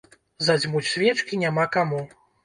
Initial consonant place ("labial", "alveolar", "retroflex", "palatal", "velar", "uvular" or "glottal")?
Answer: alveolar